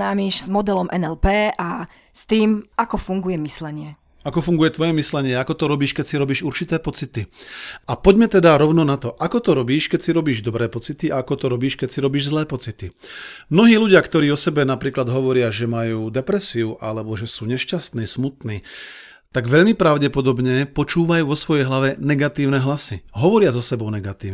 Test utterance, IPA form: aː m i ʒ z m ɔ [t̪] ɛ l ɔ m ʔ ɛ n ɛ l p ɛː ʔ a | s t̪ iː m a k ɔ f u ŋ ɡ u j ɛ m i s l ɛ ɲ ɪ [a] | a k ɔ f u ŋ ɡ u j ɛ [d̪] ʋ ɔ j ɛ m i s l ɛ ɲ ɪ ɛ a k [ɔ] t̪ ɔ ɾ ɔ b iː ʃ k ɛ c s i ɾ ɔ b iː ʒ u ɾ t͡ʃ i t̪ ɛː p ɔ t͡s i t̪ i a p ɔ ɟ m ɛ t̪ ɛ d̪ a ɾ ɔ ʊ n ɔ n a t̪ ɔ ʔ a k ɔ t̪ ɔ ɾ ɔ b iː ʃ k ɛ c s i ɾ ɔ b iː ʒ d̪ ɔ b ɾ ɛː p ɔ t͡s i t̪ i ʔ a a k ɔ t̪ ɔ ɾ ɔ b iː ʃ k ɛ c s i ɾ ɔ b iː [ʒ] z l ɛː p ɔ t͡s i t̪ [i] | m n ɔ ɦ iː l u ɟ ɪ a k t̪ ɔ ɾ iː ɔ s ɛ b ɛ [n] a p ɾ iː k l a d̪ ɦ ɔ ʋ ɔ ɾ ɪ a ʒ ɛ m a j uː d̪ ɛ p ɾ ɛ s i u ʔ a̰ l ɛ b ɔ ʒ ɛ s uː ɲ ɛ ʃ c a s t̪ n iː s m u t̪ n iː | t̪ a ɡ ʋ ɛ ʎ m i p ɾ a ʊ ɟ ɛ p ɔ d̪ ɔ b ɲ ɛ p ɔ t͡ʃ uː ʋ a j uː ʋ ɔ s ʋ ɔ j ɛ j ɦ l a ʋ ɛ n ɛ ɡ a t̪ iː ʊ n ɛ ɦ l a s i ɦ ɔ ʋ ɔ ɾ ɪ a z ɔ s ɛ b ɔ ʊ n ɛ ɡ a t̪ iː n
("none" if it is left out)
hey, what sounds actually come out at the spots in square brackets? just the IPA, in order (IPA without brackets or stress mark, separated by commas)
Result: d̪, ɛ, t̪, ɔ, ʒ, i, n